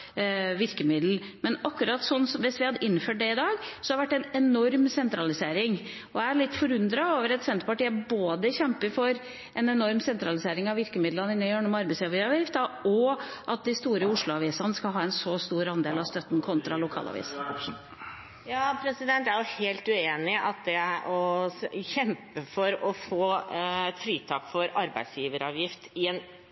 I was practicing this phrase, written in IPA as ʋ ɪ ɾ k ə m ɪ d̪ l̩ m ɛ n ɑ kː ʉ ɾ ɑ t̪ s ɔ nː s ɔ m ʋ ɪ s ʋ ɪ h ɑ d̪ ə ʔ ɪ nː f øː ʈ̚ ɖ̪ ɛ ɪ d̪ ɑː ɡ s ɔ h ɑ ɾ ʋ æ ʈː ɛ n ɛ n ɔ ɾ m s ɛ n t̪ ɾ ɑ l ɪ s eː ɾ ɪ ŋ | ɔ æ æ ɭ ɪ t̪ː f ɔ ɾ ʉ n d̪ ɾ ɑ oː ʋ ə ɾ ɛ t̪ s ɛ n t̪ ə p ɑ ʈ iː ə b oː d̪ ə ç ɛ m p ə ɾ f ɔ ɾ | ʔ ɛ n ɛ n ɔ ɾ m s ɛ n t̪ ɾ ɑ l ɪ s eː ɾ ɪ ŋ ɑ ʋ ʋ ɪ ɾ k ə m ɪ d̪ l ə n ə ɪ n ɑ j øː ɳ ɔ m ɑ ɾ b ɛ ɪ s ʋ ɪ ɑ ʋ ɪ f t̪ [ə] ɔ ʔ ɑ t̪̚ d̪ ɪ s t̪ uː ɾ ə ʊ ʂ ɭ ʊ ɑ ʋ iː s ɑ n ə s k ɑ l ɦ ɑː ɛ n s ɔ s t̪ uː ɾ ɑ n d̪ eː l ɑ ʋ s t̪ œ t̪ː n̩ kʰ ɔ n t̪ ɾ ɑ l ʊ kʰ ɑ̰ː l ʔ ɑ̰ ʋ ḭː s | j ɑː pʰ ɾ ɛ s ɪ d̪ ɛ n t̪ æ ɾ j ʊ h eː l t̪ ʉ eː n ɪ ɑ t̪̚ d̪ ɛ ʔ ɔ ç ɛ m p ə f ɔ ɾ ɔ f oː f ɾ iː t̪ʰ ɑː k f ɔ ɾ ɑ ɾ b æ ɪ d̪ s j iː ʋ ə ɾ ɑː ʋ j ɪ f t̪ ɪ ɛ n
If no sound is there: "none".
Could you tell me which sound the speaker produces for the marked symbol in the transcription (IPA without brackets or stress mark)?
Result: ɑ